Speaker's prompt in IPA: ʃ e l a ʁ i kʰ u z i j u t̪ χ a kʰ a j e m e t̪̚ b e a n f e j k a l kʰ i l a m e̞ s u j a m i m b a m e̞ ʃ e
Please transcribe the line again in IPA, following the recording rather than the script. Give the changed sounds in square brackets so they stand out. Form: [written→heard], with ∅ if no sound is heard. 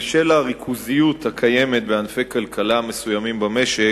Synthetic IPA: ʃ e l a ʁ i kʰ u z i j u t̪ [χ→h] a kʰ a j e m e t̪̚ b e a n f e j k a l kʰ [i→a] l a m e̞ s u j a m i m b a m e̞ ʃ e